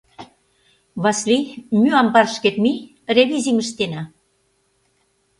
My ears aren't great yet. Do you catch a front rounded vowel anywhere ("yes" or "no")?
yes